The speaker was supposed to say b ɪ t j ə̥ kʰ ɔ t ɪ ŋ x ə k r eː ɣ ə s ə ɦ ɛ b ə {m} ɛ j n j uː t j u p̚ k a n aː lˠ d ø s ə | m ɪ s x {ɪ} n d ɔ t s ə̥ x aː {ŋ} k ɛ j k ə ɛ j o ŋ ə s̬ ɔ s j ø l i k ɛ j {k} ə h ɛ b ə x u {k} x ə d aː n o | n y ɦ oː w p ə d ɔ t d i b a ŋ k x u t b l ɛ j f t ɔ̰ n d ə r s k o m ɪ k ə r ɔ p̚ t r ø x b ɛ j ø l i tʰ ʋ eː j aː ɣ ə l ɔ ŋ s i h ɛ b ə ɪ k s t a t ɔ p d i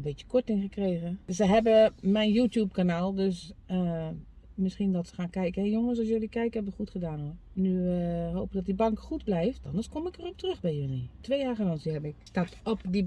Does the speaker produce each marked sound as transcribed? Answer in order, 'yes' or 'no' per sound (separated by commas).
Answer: yes, no, no, yes, no